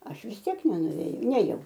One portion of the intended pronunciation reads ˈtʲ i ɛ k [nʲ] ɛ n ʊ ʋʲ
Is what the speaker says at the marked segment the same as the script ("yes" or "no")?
yes